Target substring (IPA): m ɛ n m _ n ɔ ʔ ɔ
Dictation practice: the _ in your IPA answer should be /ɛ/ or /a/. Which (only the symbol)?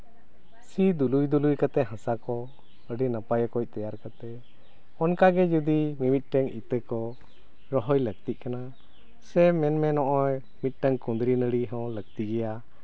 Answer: ɛ